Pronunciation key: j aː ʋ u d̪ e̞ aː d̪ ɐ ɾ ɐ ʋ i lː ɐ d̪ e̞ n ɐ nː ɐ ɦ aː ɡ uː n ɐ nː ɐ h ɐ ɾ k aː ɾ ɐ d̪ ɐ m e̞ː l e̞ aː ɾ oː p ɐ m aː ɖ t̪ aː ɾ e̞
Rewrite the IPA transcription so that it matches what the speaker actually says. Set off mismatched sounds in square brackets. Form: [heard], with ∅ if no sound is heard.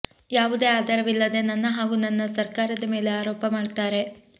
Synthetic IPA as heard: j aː ʋ u d̪ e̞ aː d̪ ɐ ɾ ɐ ʋ i lː ɐ d̪ e̞ n ɐ nː ɐ ɦ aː ɡ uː n ɐ nː ɐ [s] ɐ ɾ k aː ɾ ɐ d̪ ɐ m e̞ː l e̞ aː ɾ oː p ɐ m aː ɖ t̪ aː ɾ e̞